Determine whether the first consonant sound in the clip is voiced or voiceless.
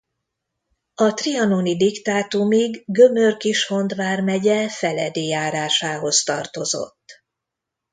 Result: voiceless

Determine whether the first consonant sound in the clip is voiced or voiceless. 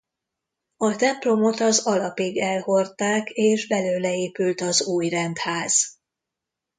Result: voiceless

